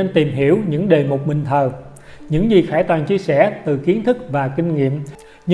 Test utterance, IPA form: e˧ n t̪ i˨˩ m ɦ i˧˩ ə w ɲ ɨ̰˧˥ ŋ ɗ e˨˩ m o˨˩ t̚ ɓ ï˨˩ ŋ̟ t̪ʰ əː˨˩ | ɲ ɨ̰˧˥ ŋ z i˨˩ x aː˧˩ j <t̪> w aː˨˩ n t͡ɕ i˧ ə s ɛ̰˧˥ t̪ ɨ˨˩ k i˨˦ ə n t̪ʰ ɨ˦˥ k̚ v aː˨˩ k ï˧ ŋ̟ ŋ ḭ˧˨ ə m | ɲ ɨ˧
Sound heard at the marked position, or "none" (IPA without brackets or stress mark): t̪